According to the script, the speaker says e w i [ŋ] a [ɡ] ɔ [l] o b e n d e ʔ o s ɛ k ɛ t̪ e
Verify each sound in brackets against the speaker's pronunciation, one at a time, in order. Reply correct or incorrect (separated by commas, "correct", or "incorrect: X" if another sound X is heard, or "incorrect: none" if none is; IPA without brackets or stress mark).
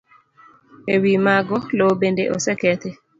incorrect: m, correct, correct